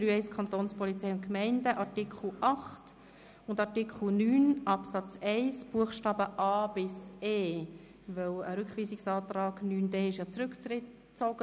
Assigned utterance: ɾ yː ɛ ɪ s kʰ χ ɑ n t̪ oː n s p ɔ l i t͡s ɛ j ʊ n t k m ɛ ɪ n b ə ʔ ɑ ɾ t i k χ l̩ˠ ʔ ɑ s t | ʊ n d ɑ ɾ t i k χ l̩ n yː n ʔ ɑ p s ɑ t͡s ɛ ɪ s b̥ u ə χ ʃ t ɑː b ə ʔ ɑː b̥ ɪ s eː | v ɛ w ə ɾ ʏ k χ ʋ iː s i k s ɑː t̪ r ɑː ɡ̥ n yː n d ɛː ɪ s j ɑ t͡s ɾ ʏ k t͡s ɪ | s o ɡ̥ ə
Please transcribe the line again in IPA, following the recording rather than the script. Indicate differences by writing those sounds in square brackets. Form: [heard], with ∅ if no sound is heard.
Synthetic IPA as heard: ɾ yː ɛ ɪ s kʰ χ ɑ n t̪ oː n s p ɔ l i t͡s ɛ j ʊ n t k m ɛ ɪ n [d] ə ʔ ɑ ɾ t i k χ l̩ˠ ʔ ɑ [χ] t | ʊ n d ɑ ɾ t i k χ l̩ n yː n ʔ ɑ p s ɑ t͡s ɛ ɪ s b̥ u ə χ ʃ t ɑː b ə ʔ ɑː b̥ ɪ s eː | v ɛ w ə ɾ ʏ k χ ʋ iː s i k s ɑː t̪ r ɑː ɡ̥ n yː n d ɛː ɪ [ʃ] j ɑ t͡s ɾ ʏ k t͡s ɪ | [t͡s] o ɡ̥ ə